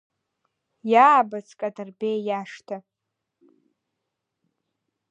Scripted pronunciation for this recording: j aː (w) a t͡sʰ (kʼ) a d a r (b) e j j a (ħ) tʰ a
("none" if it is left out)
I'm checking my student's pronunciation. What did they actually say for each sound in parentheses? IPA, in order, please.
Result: b, kʼ, b, ʂ

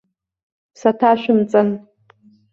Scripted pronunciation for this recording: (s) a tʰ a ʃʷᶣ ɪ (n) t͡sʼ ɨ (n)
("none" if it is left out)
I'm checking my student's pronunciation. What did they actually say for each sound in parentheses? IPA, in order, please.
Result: s, m, n

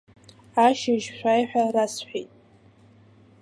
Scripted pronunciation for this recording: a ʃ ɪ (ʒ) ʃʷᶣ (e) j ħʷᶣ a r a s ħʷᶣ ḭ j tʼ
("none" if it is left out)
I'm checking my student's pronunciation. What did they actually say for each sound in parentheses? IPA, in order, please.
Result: ʒ, a

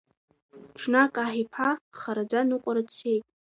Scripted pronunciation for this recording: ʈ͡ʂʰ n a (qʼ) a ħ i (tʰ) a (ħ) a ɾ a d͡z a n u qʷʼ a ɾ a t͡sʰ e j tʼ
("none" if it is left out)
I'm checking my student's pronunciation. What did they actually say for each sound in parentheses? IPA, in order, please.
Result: kʼ, pʰ, χ

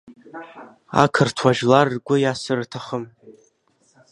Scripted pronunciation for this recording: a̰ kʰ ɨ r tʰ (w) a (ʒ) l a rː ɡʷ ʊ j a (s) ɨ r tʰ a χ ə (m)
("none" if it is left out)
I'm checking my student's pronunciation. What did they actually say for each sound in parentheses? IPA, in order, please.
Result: w, ʒ, s, m

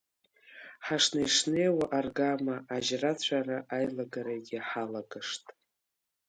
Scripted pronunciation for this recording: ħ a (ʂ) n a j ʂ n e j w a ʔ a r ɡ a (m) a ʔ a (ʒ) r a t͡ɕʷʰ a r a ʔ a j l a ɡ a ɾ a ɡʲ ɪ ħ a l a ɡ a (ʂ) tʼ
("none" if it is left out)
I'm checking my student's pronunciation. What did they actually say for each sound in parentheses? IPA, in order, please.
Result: ʂ, m, ʒ, ʂ

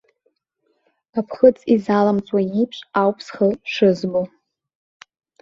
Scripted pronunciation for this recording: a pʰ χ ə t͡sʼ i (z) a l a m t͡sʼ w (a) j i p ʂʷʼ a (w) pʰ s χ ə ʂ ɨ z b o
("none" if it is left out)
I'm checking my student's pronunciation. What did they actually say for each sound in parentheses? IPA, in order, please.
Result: z, a, w

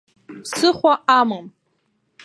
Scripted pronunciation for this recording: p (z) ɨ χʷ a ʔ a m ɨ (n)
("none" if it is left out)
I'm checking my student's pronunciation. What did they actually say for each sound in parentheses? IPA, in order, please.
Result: s, m

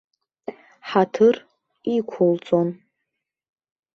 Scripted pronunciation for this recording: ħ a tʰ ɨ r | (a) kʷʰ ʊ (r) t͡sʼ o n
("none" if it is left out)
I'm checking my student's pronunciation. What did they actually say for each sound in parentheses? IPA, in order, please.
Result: i, l

